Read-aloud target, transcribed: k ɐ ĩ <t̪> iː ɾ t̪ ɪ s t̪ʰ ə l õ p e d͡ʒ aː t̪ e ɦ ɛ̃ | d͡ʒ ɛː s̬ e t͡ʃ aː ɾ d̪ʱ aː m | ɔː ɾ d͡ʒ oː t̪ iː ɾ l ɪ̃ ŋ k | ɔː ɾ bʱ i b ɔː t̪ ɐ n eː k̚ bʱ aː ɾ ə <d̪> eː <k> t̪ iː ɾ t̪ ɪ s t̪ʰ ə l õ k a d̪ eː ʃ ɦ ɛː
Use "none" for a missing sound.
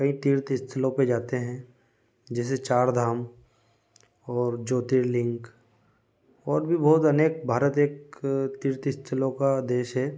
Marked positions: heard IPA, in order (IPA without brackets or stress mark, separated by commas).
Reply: t̪, t̪, k